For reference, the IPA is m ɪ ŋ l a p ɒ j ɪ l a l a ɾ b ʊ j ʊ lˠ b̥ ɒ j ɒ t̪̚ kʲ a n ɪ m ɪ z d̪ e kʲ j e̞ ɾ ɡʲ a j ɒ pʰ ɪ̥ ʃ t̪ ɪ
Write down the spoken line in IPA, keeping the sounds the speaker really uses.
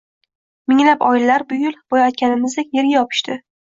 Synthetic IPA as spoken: m ɪ ŋ l a p ɒ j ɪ l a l a ɾ b ʊ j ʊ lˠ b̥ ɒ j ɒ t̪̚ kʲ a n ɪ m ɪ z d̪ e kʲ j e̞ ɾ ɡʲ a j ɒ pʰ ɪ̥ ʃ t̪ ɪ